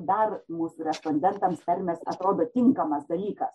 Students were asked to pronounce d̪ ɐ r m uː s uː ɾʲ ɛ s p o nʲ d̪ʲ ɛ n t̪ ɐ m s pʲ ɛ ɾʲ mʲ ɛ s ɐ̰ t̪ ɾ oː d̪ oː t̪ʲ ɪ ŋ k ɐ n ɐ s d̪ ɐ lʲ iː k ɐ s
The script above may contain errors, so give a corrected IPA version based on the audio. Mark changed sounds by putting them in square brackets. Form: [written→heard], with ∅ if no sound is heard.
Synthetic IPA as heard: d̪ ɐ r m uː s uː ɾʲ ɛ s p o nʲ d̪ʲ ɛ n t̪ ɐ m s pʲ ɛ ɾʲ mʲ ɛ s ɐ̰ t̪ ɾ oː d̪ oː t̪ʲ ɪ ŋ k ɐ [n→m] ɐ s d̪ ɐ lʲ iː k ɐ s